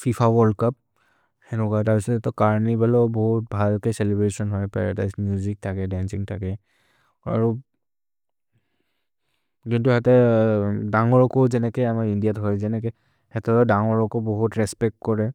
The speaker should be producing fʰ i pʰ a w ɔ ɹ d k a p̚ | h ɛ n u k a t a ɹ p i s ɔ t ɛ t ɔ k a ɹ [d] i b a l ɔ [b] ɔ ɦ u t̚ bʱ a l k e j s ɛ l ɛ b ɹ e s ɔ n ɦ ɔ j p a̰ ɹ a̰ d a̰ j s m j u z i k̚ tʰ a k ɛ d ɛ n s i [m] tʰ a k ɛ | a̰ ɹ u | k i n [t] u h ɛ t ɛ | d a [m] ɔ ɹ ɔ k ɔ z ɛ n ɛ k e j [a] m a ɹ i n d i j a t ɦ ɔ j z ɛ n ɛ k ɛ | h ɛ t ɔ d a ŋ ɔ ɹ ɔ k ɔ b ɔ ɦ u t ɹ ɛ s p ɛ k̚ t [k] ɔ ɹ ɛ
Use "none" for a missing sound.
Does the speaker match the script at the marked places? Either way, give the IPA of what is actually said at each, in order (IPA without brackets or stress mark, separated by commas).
n, b, ŋ, t, ŋ, a, k